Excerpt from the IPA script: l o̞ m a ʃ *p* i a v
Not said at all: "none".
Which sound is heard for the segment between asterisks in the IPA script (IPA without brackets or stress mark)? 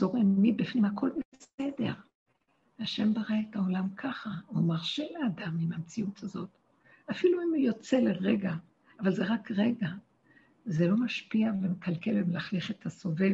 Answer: p